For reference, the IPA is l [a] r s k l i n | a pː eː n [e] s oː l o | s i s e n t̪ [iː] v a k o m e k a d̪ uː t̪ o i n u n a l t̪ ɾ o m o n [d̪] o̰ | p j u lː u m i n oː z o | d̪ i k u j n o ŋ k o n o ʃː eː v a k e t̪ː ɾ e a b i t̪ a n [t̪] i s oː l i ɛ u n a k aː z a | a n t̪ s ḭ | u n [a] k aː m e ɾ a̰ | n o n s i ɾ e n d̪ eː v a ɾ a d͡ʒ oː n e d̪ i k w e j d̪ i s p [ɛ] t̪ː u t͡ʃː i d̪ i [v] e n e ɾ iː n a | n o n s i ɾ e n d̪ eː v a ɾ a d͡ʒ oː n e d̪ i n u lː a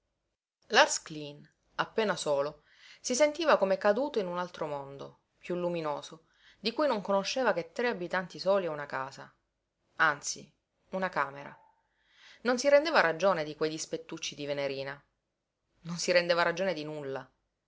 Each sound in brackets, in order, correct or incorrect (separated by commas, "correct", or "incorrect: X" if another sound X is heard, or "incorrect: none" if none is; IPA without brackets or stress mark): correct, incorrect: a, correct, correct, correct, correct, incorrect: e, correct